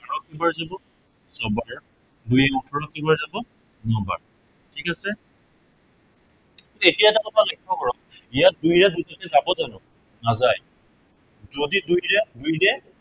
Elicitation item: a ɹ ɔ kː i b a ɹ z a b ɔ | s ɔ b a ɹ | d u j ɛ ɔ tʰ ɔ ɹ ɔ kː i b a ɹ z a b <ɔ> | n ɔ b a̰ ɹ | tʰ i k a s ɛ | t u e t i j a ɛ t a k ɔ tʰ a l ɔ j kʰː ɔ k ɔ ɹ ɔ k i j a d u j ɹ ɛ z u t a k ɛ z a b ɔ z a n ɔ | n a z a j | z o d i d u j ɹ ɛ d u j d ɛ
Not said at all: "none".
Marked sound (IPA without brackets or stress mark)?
ɔ